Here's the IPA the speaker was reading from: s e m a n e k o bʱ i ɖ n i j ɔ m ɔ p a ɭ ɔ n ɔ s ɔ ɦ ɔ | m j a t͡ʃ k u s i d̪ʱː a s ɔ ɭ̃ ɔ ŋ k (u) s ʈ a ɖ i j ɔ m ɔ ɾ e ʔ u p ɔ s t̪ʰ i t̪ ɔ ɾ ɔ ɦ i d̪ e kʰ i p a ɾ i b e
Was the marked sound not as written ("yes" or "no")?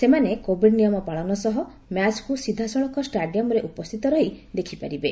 yes